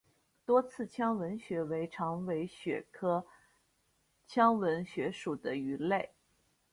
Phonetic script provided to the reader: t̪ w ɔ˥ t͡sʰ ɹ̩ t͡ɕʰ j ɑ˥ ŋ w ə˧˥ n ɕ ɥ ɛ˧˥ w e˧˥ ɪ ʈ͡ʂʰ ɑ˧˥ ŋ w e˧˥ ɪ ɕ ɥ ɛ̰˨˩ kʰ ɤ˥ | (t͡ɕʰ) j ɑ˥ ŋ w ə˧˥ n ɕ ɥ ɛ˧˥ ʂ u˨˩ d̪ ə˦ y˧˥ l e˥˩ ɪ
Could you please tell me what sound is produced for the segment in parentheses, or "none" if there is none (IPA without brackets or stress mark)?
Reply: t͡ɕʰ